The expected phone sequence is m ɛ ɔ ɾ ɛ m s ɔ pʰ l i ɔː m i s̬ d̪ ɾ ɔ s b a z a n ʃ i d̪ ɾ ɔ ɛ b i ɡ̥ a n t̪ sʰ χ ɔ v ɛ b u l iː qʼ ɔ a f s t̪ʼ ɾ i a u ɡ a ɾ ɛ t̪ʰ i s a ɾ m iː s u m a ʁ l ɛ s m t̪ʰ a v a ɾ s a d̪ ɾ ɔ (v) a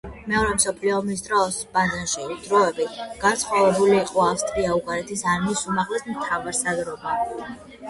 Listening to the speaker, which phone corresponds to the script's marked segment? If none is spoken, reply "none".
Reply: b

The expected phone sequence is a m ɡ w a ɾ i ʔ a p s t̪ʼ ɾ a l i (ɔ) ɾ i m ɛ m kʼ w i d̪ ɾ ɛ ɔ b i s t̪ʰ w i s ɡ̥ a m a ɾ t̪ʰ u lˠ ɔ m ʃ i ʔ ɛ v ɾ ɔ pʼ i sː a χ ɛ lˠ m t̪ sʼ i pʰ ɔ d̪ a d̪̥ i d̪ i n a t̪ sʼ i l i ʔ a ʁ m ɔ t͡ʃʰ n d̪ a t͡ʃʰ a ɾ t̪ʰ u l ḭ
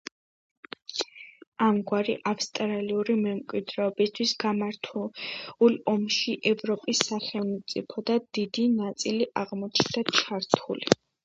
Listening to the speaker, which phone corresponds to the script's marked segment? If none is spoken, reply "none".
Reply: u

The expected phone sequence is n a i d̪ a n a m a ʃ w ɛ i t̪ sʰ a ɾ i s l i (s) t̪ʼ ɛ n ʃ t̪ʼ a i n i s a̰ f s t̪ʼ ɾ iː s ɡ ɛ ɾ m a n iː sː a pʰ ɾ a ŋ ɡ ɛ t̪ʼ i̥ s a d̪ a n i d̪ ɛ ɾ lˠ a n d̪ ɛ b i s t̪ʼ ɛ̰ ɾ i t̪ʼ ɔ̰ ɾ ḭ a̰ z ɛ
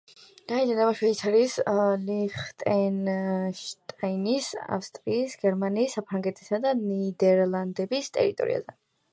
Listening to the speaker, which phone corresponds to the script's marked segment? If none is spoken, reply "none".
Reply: χ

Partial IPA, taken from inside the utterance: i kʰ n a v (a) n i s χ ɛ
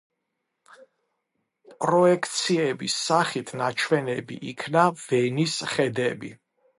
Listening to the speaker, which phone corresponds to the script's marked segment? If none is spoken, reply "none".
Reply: ɛ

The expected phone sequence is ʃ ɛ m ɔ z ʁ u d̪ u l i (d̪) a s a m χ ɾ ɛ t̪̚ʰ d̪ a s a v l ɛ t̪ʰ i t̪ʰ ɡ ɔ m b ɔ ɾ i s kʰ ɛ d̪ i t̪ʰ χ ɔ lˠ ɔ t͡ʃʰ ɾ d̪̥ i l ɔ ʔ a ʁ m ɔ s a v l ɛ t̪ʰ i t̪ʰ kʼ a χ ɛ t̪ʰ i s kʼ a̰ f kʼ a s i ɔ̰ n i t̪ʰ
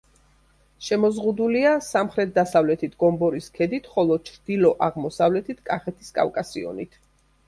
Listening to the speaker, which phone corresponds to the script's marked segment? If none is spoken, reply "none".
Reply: none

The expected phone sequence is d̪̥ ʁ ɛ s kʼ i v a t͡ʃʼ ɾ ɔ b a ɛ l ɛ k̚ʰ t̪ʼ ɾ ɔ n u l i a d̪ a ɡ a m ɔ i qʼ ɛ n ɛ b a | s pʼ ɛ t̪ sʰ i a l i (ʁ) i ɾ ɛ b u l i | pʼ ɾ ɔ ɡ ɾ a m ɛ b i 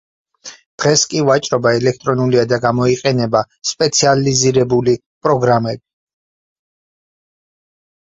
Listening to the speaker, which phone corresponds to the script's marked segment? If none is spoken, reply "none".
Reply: z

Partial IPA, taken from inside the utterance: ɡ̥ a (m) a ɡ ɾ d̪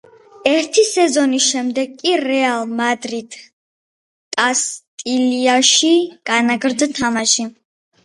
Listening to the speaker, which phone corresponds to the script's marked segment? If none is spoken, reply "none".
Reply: n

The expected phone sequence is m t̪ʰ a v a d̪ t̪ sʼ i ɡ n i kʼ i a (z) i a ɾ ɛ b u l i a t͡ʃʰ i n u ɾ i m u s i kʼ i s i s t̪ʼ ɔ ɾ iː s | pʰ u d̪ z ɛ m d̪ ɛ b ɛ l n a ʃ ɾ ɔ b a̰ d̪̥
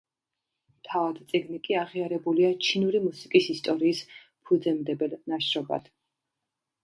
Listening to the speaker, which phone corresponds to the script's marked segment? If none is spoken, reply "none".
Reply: ʁ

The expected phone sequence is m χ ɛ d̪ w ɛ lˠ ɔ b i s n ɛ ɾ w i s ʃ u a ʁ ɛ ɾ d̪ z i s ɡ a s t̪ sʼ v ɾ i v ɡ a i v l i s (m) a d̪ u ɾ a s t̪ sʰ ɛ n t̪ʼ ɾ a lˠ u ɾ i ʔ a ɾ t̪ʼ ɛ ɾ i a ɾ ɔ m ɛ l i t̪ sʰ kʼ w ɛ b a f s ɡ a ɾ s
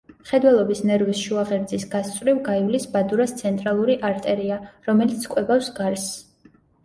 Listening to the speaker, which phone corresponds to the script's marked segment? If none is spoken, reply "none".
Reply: b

